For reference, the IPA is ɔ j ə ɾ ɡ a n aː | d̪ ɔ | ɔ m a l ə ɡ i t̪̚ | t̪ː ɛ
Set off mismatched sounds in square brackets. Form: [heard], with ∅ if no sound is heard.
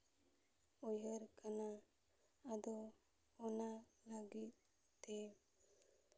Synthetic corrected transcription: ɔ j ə ɾ [k] a n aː | d̪ ɔ | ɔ [n] a l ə ɡ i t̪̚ | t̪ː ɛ